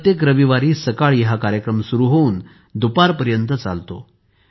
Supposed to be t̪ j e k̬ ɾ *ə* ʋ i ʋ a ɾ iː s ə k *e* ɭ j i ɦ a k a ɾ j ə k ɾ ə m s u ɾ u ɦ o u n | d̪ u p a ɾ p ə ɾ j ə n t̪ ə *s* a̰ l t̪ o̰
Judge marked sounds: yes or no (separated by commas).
yes, no, no